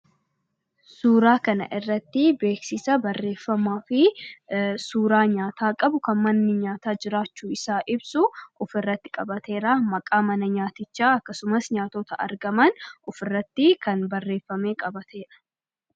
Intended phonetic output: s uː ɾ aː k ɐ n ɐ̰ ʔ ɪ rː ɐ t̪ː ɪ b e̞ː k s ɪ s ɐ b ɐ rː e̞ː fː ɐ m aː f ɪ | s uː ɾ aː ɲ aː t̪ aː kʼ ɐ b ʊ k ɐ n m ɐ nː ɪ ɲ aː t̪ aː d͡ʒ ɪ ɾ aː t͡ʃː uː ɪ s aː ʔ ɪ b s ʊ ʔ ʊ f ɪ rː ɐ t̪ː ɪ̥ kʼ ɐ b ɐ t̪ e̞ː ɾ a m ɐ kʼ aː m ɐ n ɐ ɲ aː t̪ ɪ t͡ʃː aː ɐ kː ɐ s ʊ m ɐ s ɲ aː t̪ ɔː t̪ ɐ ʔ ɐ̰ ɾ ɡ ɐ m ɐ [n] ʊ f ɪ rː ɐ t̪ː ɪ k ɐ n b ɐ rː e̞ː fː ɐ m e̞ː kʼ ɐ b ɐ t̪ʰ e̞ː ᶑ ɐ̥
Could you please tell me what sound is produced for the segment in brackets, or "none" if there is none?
n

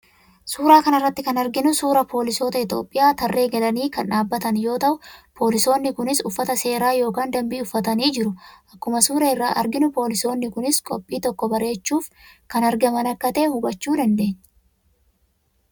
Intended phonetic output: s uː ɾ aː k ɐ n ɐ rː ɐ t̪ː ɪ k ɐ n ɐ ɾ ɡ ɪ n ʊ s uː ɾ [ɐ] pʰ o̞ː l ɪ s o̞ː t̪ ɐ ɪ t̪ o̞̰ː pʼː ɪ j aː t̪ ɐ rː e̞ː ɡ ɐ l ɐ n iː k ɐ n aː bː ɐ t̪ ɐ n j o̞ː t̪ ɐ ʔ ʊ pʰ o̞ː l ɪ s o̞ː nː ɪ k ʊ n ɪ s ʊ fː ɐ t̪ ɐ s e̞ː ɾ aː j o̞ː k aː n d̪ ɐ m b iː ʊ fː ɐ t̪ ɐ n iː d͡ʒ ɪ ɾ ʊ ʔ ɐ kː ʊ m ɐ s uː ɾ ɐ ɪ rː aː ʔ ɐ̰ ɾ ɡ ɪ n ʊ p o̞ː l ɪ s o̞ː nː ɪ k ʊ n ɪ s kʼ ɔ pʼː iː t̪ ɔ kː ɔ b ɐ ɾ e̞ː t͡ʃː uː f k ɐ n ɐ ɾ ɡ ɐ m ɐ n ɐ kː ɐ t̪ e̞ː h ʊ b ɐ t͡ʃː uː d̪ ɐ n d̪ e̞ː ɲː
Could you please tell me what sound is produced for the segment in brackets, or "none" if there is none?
ɐ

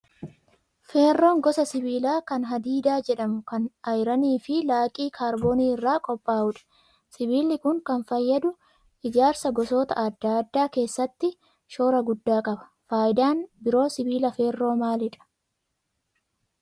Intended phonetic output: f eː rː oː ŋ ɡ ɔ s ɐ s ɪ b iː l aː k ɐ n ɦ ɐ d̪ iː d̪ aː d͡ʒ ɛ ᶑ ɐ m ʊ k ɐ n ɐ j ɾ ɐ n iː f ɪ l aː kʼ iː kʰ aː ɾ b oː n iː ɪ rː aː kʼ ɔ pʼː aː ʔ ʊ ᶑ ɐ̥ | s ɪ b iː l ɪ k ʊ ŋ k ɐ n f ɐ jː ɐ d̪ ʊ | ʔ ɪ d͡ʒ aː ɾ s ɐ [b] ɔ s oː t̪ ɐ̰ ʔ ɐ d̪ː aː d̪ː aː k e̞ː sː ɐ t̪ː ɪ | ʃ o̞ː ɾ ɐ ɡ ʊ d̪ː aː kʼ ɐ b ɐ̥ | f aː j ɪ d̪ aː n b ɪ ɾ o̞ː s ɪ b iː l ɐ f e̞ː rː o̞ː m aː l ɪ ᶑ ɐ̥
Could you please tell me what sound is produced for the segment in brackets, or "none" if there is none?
ɡ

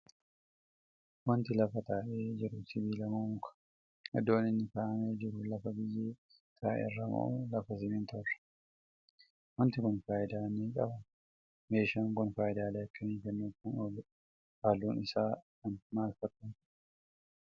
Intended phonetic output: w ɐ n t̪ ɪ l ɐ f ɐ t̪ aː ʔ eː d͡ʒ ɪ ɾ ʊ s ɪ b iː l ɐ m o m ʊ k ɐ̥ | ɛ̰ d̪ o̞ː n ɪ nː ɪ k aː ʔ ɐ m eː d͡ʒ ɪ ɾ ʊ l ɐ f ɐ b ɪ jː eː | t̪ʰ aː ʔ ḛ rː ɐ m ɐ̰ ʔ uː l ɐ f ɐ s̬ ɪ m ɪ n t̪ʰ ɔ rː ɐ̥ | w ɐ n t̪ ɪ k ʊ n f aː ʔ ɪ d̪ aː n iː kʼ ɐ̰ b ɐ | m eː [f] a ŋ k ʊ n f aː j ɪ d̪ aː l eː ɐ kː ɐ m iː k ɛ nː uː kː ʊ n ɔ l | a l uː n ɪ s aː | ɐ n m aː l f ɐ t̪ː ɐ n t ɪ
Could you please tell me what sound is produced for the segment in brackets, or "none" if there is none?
ʃ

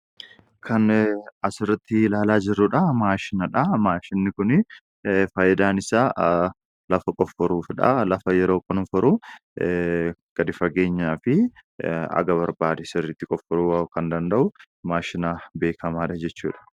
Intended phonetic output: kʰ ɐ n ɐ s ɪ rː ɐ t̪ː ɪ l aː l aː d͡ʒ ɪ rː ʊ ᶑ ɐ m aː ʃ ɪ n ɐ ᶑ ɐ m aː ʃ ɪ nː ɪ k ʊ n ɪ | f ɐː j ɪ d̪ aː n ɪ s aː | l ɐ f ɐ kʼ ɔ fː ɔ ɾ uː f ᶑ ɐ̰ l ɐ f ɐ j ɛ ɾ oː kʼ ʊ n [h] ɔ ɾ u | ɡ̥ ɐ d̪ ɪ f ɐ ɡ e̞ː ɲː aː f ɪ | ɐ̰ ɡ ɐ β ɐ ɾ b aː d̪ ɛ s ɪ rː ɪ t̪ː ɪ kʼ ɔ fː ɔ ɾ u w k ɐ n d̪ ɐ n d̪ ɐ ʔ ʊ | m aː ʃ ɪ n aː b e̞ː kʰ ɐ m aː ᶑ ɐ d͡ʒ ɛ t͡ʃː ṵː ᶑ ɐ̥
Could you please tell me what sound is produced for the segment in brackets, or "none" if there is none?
f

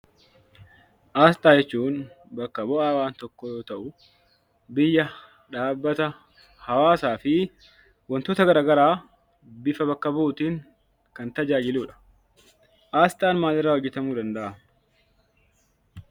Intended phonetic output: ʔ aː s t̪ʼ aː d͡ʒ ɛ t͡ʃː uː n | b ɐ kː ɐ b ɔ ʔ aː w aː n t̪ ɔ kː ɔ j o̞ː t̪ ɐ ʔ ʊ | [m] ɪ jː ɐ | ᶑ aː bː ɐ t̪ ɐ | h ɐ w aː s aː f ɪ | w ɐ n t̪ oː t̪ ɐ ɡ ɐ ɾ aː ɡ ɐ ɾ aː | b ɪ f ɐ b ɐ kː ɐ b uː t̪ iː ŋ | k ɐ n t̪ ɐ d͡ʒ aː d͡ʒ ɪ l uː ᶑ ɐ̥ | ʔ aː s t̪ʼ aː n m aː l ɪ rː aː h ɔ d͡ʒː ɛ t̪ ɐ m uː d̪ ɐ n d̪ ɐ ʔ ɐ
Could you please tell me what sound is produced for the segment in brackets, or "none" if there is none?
b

